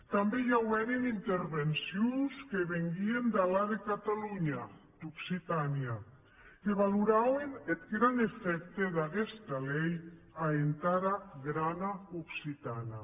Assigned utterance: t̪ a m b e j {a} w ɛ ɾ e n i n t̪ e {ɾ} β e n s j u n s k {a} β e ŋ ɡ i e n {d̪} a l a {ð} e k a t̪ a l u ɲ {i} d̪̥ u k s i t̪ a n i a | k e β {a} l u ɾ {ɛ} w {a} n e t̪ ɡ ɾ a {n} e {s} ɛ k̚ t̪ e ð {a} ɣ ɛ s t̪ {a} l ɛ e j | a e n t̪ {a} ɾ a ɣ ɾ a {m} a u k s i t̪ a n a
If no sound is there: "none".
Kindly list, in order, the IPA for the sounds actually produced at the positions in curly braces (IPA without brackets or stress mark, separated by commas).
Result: a, ɾ, e, d̪, ð, a, a, a, e, n, f, a, a, a, n